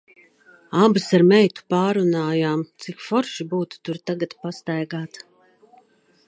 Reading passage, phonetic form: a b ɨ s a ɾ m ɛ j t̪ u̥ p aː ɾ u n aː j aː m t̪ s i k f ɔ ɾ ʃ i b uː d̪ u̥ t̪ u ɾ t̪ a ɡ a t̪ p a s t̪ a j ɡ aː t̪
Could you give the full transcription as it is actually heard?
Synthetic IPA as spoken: a b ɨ s a ɾ m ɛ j t̪ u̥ p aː ɾ u n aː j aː m t̪ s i k f ɔ ɾ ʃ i b uː t̪ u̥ t̪ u ɾ t̪ a ɡ a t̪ p a s t̪ a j ɡ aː t̪